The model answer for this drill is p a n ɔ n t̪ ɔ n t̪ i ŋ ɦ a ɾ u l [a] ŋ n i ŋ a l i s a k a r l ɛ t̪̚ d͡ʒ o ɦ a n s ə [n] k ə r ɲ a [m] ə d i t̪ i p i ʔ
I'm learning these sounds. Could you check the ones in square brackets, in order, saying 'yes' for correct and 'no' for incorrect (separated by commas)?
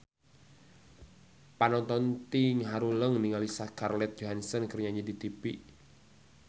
no, yes, no